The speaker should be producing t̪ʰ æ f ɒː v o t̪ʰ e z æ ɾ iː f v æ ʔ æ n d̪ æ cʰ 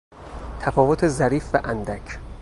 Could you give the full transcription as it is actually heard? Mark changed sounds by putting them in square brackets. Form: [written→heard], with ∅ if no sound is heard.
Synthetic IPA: t̪ʰ æ f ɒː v o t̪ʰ e z æ ɾ iː f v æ ʔ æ n d̪ æ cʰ

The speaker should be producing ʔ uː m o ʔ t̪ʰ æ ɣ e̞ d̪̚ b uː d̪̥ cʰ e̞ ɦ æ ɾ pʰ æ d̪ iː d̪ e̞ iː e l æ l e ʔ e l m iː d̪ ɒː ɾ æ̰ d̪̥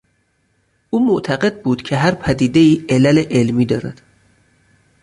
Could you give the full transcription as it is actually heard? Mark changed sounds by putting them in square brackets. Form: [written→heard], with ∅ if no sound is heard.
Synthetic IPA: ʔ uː m o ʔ t̪ʰ æ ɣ e̞ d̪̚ b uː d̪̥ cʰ e̞ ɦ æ ɾ pʰ æ d̪ iː d̪ e̞ iː e l æ l e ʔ e l m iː d̪ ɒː ɾ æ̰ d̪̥

